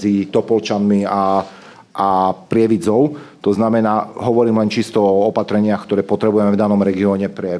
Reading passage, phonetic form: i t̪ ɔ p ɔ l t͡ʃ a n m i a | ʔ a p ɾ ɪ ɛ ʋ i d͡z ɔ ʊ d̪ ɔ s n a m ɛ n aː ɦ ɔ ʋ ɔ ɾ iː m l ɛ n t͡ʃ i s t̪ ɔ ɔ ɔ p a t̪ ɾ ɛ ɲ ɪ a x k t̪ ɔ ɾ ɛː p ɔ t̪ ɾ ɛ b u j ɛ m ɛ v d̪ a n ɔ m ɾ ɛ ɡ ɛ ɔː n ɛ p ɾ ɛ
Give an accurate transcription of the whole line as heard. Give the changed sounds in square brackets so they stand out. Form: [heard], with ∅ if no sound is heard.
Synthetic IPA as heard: i t̪ ɔ p ɔ l t͡ʃ a n m i a | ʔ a p ɾ ɪ ɛ ʋ i d͡z ɔ ʊ [t̪] ɔ [z] n a m ɛ n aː ɦ ɔ ʋ ɔ ɾ iː m l ɛ n t͡ʃ i s t̪ ɔ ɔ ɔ p a t̪ ɾ ɛ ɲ ɪ a x k t̪ ɔ ɾ ɛː p ɔ t̪ ɾ ɛ b u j ɛ m ɛ v d̪ a n ɔ m ɾ ɛ ɡ [i] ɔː [ɲ] ɛ p ɾ ɛ